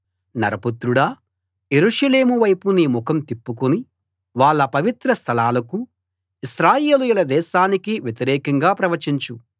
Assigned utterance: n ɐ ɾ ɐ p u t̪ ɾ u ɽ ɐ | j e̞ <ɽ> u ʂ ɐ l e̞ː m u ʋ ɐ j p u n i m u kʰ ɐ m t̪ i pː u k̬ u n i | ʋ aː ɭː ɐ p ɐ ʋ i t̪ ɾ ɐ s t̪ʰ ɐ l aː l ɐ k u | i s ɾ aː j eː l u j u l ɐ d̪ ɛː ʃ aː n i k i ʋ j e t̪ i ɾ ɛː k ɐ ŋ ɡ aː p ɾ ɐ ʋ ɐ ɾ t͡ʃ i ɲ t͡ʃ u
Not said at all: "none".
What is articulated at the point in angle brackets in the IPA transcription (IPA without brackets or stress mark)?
ɾ